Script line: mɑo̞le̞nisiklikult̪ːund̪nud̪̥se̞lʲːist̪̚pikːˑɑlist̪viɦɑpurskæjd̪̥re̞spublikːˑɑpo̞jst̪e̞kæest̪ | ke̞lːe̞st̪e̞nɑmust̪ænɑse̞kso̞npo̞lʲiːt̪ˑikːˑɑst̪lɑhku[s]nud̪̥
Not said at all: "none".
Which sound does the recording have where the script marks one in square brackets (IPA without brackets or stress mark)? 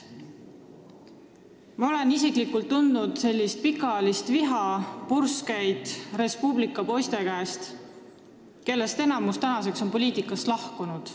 none